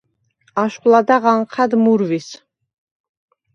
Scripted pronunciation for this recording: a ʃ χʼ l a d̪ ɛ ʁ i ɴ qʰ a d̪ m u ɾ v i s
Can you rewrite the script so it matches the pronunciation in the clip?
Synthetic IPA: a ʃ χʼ l a d̪ a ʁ a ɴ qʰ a d̪ m u ɾ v i s